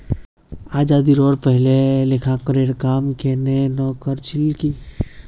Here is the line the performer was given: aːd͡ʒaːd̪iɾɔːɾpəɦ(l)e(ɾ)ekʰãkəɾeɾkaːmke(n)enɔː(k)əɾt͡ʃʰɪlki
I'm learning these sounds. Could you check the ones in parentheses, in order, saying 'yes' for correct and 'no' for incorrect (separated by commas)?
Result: yes, no, yes, yes